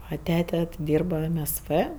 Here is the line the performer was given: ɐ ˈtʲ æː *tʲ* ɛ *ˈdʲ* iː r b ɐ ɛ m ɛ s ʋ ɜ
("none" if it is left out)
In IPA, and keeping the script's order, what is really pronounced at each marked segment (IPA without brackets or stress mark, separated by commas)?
tʲ, dʲ